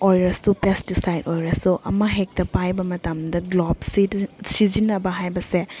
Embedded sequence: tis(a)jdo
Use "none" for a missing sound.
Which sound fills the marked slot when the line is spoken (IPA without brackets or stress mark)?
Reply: a